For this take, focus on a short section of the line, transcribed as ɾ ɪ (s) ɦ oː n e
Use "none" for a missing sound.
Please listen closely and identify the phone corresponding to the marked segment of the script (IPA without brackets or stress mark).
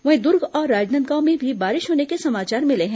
ʃ